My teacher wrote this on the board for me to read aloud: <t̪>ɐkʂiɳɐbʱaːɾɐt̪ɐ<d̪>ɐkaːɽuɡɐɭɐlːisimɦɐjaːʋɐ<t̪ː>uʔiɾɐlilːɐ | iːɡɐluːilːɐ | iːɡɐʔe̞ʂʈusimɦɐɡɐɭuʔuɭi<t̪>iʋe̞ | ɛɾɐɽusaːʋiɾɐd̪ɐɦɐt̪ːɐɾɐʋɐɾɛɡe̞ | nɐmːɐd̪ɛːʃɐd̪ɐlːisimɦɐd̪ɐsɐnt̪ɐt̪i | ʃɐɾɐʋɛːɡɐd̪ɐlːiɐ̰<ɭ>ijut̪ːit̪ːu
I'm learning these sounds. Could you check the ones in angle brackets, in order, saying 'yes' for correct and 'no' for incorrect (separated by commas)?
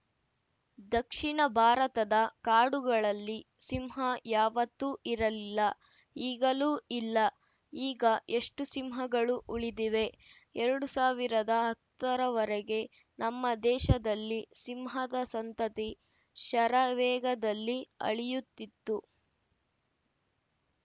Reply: no, yes, yes, no, yes